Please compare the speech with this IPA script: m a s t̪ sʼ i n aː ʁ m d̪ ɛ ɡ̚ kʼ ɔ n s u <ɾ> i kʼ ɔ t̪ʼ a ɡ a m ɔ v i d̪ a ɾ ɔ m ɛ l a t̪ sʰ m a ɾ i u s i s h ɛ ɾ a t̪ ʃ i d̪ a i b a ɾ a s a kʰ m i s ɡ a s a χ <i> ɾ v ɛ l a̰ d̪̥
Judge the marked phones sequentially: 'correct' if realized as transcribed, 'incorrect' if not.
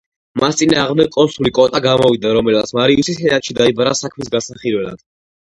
incorrect: l, correct

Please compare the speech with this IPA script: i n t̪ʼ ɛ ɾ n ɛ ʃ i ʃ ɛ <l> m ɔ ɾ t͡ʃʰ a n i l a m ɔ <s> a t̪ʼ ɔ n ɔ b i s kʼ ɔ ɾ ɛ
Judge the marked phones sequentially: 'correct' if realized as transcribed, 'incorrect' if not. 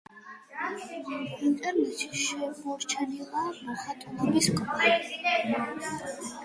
incorrect: none, incorrect: χ

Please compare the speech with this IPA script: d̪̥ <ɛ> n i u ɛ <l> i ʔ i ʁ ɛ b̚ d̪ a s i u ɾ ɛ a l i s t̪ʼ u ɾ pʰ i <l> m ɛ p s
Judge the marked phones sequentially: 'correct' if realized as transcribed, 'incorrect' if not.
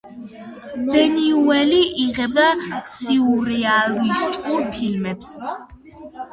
correct, correct, correct

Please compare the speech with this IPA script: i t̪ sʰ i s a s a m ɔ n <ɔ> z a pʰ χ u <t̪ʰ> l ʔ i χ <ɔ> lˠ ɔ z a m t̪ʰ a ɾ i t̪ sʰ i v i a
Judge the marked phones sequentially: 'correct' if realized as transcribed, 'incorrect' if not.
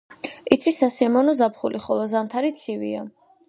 correct, incorrect: none, correct

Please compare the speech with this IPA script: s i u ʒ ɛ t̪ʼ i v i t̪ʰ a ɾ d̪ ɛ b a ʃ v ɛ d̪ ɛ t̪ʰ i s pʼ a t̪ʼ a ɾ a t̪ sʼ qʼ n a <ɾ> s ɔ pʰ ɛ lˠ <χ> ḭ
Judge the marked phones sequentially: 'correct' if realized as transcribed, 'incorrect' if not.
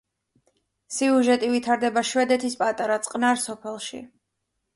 correct, incorrect: ʃ

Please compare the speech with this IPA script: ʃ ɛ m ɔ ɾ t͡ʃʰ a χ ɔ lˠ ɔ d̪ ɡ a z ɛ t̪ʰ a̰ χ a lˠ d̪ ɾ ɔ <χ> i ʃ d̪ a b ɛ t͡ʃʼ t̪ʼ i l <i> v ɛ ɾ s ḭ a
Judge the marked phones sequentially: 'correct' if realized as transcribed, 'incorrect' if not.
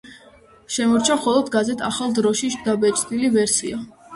incorrect: ʃ, correct

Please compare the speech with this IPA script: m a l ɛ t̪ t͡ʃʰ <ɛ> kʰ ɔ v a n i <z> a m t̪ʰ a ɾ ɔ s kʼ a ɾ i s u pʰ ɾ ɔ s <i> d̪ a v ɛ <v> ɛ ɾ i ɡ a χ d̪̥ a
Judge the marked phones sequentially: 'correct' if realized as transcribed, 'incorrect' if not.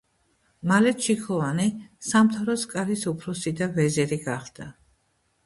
incorrect: i, incorrect: s, correct, incorrect: z

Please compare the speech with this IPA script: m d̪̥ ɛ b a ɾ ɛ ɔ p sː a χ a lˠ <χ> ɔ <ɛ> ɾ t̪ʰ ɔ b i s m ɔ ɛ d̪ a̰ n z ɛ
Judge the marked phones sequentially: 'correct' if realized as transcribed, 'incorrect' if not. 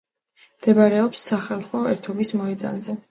correct, correct

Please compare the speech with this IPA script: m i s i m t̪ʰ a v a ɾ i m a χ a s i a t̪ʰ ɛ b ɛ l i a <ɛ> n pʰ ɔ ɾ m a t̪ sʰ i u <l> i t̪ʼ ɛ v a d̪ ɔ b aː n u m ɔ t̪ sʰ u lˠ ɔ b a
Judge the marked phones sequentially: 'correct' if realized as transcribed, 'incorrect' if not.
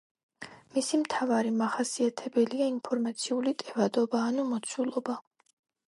incorrect: i, correct

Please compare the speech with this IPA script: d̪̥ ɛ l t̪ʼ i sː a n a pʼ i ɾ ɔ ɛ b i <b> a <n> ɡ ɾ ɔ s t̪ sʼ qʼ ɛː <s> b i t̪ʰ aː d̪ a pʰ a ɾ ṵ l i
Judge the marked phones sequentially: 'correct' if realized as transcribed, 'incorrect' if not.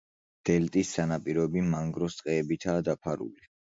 incorrect: m, incorrect: ŋ, incorrect: none

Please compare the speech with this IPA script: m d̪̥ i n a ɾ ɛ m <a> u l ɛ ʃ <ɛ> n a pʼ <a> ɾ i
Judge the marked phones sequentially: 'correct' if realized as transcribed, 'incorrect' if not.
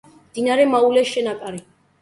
correct, correct, correct

